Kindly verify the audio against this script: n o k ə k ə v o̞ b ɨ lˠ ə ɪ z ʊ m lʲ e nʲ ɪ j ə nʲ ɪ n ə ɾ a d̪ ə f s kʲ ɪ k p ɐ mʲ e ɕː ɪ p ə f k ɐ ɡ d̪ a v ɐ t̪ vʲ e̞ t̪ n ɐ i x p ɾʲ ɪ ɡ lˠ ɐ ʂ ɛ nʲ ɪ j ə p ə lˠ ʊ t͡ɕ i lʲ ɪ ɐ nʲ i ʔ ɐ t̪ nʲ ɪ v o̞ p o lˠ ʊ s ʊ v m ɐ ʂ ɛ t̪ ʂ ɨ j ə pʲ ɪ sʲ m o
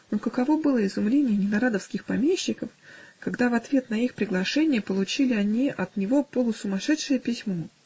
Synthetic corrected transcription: n o k ə k ɐ v o̞ b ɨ lˠ ə ɪ z ʊ m lʲ e nʲ ɪ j ə nʲ ɪ n ɐ ɾ a d̪ ə f s kʲ ɪ x p ɐ mʲ e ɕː ɪ k ə f k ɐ ɡ d̪ a v ɐ t̪ vʲ e̞ t̪ n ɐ i x p ɾʲ ɪ ɡ lˠ ɐ ʂ ɛ nʲ ɪ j ə p ə lˠ ʊ t͡ɕ i lʲ ɪ ɐ nʲ i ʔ ɐ t̪ nʲ ɪ v o̞ p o lˠ ʊ s ʊ m ɐ ʂ ɛ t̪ ʂ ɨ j ə pʲ ɪ sʲ m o